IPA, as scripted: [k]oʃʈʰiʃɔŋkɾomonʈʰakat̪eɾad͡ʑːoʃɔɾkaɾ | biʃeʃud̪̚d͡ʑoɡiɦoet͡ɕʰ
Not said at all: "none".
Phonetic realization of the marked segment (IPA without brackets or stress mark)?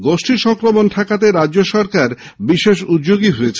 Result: ɡ